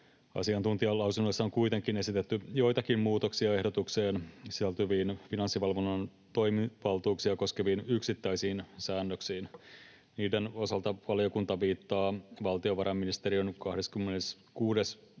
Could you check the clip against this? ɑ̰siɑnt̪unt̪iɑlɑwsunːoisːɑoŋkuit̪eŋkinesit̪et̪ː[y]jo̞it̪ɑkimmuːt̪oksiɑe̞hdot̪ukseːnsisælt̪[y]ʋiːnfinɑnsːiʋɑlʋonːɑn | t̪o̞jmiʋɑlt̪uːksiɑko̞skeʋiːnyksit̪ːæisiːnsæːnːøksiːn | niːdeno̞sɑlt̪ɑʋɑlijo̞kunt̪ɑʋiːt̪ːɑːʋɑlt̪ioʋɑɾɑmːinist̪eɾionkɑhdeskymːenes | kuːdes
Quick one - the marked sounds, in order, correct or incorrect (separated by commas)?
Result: correct, correct